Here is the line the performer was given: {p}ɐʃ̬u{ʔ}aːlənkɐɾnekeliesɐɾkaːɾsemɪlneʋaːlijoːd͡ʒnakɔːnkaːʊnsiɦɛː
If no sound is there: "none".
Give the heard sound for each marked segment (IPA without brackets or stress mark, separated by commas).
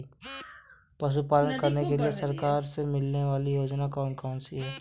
p, p